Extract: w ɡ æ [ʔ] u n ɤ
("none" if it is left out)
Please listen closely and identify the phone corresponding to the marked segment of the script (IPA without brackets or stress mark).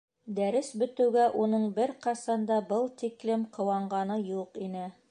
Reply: ʔ